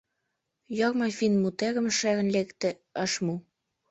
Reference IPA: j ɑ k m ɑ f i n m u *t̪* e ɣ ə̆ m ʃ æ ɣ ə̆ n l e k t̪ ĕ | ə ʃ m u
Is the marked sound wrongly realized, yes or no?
no